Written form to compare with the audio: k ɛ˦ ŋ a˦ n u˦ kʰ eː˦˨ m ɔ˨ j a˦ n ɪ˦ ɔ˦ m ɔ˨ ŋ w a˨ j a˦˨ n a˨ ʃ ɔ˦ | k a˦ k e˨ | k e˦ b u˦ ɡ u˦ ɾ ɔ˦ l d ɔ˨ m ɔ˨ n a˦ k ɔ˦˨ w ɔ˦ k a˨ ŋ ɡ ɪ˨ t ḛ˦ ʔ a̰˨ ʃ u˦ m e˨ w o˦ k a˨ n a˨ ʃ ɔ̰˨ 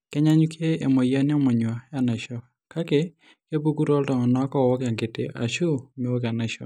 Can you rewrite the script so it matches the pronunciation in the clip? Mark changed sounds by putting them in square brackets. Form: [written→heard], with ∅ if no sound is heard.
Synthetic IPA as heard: k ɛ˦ [ŋ→ɲ] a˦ [n→ɲ] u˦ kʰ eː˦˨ m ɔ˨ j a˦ n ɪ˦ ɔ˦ m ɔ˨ [ŋ→ɲ] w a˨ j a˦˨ n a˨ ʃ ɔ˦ | k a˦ k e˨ | k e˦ b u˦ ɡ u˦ ɾ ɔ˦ l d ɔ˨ [m→ŋ] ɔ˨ n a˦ k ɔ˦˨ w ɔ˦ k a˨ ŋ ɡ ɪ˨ t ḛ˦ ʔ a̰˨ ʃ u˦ m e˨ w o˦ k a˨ n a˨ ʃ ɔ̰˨